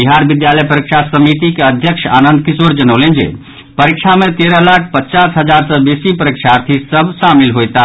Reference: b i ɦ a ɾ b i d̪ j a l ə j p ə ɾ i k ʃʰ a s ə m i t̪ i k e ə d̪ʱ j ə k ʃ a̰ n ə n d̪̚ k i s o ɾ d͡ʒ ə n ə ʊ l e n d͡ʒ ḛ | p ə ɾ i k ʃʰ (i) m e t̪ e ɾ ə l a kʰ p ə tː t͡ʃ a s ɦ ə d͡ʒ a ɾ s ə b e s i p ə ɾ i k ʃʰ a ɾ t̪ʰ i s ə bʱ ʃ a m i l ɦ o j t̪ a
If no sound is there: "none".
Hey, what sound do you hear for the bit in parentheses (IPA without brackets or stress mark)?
a